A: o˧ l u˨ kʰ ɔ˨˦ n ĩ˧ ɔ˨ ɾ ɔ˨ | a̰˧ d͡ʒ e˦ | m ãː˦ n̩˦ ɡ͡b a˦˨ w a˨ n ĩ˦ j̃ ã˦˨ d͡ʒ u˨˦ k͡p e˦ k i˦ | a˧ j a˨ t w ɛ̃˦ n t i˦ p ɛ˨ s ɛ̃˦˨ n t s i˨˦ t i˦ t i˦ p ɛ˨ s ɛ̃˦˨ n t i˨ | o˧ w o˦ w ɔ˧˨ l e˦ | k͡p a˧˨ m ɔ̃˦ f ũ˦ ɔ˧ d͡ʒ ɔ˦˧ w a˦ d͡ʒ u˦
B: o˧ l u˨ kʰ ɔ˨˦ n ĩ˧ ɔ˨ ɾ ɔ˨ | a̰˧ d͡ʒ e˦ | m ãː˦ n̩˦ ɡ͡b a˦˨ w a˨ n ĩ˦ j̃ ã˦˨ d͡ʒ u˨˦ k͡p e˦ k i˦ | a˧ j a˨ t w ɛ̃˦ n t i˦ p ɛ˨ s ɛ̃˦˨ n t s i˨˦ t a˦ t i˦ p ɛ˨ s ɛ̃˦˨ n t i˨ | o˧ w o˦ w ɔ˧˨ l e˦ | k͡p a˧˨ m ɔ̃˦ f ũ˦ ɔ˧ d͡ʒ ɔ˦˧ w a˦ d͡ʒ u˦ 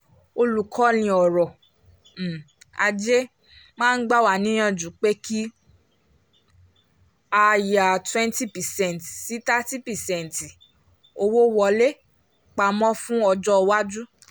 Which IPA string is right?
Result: B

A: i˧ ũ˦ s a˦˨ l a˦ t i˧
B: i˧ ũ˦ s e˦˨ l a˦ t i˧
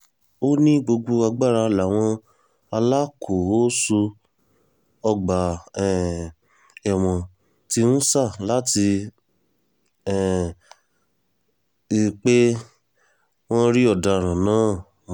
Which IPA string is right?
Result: A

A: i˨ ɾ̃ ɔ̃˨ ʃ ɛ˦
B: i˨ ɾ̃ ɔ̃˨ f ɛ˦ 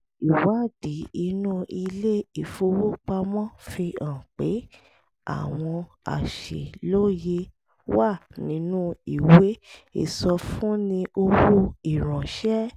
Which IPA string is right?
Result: A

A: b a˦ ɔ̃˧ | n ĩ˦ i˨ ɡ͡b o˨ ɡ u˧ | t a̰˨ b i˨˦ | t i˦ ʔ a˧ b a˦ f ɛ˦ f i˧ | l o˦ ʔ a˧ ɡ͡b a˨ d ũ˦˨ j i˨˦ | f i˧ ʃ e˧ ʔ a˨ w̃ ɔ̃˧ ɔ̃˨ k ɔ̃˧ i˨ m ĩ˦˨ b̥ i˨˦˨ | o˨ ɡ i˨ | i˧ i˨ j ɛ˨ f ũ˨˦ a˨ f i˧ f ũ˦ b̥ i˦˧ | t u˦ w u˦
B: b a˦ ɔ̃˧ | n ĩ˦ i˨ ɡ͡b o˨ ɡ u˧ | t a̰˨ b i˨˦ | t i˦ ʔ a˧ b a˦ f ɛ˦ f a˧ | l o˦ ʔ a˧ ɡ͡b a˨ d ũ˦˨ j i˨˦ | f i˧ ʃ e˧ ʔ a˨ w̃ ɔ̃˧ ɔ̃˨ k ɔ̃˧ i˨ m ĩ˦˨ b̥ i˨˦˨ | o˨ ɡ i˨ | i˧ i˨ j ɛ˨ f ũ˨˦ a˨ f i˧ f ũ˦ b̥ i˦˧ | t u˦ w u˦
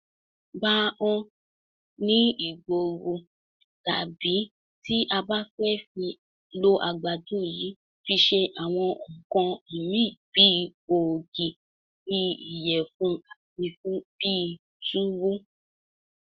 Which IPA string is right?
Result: A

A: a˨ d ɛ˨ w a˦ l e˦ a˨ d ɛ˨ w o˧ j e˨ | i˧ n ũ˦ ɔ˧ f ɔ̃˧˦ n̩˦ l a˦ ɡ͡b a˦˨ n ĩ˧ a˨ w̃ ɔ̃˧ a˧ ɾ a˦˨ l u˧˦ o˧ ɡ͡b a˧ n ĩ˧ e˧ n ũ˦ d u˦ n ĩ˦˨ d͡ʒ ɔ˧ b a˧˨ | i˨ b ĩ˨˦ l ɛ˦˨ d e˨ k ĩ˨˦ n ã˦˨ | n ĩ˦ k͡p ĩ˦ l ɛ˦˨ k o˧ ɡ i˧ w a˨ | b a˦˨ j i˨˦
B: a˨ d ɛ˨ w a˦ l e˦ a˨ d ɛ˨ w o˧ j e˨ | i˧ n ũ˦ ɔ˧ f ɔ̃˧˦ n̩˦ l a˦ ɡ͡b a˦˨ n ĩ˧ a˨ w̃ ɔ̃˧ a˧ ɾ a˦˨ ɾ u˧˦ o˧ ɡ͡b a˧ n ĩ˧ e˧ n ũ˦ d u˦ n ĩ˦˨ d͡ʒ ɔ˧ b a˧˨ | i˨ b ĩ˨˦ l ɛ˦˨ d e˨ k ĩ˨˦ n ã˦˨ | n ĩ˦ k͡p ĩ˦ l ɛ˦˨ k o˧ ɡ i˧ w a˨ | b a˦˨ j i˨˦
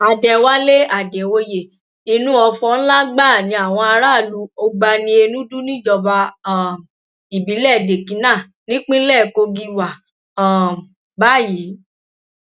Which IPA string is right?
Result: A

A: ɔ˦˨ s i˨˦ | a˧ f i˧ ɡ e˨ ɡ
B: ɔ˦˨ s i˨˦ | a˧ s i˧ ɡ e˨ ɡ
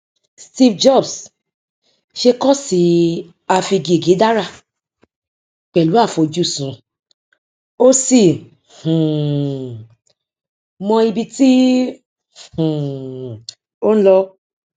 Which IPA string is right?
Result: A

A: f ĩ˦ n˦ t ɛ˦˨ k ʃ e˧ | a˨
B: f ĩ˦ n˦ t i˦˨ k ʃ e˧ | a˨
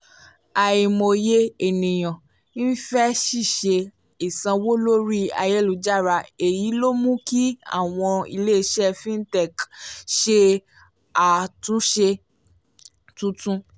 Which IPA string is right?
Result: A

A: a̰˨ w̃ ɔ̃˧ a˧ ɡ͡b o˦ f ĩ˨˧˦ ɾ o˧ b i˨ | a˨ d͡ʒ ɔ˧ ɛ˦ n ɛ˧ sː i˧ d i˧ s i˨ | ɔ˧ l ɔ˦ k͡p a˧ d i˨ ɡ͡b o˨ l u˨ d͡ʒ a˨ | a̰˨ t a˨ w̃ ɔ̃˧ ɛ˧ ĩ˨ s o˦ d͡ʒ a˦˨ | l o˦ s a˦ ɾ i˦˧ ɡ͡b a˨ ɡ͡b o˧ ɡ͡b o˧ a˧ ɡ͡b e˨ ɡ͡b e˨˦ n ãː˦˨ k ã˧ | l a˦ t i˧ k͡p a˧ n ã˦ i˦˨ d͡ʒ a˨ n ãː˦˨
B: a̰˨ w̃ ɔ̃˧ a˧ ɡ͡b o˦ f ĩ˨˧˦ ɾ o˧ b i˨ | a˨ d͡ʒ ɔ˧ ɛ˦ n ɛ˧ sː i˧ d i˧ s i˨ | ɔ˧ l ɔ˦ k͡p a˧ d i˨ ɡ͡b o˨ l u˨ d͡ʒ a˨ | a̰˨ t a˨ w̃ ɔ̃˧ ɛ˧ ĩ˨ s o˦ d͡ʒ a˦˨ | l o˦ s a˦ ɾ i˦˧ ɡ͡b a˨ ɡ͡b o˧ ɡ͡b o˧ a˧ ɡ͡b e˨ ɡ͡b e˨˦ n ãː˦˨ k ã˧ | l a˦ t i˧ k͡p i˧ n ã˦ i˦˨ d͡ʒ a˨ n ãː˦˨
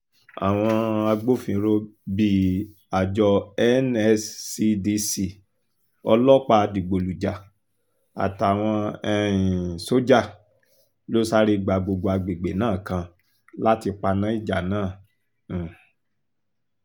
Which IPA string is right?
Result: A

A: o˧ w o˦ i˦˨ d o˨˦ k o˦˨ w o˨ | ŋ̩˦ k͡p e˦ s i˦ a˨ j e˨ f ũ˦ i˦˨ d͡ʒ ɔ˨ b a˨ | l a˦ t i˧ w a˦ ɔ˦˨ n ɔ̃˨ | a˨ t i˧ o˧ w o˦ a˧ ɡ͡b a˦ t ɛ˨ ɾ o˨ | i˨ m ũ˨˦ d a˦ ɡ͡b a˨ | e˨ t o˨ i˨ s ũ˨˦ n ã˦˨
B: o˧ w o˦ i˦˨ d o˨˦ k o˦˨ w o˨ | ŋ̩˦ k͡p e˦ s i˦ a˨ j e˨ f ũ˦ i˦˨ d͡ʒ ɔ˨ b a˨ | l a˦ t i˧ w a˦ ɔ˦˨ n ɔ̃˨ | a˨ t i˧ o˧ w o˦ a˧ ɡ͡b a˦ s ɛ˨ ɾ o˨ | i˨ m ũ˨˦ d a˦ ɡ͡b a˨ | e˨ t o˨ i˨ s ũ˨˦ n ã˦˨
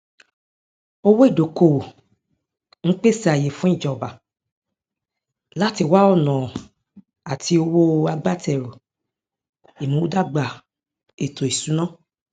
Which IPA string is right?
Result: A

